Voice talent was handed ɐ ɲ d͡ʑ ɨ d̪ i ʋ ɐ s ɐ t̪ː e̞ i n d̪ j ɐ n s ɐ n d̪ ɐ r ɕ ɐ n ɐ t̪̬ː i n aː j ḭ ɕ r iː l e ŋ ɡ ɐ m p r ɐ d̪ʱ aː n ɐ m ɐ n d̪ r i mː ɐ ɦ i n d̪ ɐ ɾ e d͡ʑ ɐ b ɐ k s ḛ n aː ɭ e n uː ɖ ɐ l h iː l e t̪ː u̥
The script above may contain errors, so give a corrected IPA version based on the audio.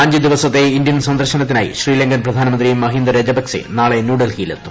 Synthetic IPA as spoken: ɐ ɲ d͡ʑ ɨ d̪ i ʋ ɐ s ɐ t̪ː e̞ i n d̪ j ɐ n s ɐ n d̪ ɐ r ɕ ɐ n ɐ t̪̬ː i n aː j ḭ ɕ r iː l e ŋ ɡ ɐ n p r ɐ d̪ʱ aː n ɐ m ɐ n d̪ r i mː ɐ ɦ i n d̪ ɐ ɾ e d͡ʑ ɐ b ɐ k s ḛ n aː ɭ e n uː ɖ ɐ l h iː l e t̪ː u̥